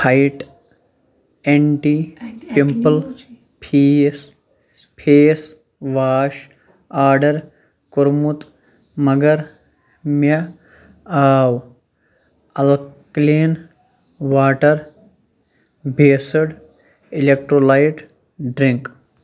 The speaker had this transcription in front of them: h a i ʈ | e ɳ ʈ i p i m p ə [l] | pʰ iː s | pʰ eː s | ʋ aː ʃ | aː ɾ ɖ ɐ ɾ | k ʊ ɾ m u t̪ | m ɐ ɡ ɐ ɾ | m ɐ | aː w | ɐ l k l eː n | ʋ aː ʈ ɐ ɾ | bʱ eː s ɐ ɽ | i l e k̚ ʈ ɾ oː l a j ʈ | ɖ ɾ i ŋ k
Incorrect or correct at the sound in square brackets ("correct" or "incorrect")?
correct